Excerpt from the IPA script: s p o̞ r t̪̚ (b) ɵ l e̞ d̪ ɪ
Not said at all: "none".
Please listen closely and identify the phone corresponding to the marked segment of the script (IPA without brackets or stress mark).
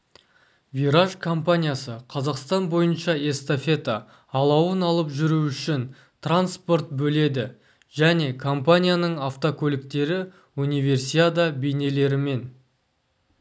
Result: b